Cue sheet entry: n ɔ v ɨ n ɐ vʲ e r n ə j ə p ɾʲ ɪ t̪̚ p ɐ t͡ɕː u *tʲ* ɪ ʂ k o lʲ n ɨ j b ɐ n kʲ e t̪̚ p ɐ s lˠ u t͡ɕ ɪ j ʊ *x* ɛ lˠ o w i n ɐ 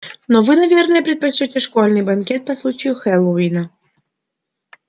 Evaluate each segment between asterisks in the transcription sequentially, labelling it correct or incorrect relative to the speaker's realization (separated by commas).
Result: correct, correct